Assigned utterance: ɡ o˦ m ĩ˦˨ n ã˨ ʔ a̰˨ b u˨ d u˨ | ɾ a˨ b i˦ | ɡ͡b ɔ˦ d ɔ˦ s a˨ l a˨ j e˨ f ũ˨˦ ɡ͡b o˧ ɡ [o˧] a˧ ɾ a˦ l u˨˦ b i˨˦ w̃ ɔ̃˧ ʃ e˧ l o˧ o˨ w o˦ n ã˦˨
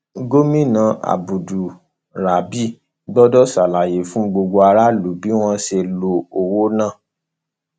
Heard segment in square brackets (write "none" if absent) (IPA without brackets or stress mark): o˧